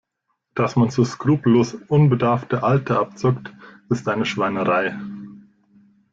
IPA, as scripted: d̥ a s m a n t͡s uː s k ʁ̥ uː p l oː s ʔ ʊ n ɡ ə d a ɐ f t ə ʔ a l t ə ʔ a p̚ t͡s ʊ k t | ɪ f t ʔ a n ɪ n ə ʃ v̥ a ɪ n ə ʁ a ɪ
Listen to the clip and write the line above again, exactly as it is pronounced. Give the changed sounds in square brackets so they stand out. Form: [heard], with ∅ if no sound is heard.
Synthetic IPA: d̥ a s m a n t͡s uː s k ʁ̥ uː p l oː s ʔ ʊ n [b] ə d a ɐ f t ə ʔ a l t ə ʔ a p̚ t͡s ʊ k t | ɪ [s] t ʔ a [∅] ɪ n ə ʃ v̥ a ɪ n ə ʁ a ɪ